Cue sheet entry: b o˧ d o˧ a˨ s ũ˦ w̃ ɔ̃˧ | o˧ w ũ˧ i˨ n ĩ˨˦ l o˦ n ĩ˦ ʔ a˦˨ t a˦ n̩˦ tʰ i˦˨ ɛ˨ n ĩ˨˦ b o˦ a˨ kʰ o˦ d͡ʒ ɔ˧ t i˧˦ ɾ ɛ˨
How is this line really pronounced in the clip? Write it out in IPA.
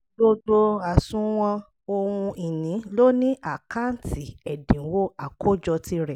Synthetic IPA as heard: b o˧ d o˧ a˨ s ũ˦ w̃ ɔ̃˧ | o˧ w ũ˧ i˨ n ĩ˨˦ l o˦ n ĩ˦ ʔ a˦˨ k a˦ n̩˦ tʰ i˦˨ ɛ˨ d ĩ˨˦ w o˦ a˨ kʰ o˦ d͡ʒ ɔ˧ t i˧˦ ɾ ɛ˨